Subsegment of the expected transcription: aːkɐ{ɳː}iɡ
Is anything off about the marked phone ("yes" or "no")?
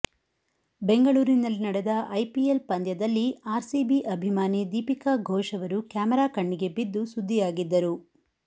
no